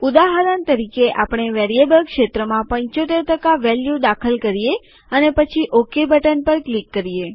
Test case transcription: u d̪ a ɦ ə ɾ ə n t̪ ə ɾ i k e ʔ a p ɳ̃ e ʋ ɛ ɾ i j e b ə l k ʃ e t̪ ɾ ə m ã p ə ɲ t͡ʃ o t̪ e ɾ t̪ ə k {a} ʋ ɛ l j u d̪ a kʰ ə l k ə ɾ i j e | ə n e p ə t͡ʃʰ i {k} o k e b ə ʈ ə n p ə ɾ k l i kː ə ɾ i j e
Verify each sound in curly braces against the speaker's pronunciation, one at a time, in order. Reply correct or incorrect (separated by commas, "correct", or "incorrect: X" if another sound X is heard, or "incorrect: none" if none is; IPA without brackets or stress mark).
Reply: correct, incorrect: ʔ